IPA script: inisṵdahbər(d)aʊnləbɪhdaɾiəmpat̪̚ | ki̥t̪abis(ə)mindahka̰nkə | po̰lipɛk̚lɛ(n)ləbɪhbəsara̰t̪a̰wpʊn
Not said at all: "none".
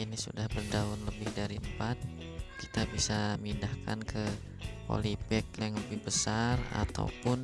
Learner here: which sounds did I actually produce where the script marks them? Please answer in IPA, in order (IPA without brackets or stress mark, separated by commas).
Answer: d, a, ŋ